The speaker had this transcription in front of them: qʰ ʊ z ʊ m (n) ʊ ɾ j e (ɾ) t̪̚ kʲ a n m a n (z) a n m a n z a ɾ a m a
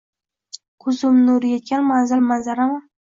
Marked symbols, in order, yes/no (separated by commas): yes, no, yes